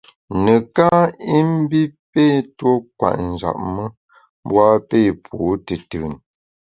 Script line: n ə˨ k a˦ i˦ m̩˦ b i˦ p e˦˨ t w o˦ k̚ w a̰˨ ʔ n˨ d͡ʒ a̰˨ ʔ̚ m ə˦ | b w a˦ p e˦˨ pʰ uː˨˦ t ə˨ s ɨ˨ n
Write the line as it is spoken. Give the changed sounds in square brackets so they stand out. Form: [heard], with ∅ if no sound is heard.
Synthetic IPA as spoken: n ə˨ k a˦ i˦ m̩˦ b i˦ p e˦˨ t w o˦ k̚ w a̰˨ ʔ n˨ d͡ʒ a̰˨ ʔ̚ m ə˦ | b w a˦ p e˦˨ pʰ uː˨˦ t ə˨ [t] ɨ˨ n